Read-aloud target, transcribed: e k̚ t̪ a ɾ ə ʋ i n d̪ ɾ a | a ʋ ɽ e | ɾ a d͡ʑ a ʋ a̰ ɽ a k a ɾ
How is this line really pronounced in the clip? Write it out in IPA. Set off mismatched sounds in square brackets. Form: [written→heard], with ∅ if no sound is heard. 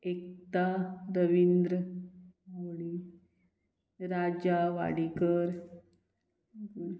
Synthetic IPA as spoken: e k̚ t̪ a ɾ ə ʋ i n d̪ ɾ [a→ə] | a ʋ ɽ [e→i] | ɾ a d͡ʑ a ʋ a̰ ɽ [a→i] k [a→ə] ɾ